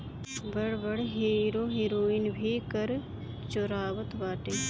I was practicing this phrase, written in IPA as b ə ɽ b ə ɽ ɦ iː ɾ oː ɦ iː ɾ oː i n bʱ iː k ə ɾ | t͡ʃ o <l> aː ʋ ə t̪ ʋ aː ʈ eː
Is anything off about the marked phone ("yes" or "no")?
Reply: yes